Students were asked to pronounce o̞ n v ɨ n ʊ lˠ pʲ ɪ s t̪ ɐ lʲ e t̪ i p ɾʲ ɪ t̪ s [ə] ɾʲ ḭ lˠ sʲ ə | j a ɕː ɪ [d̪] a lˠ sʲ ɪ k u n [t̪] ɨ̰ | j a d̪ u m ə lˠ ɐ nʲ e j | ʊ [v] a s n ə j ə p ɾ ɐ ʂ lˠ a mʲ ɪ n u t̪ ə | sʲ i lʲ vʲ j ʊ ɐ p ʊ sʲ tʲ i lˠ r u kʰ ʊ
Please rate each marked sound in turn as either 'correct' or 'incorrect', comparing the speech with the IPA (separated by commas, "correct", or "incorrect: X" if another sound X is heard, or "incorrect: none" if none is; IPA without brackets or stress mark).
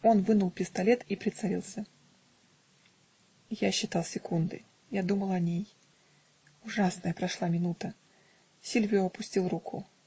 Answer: incorrect: ɐ, incorrect: t̪, incorrect: d̪, incorrect: ʐ